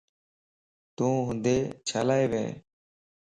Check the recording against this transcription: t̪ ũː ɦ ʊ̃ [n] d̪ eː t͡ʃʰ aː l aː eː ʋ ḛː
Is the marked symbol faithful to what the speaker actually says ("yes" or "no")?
yes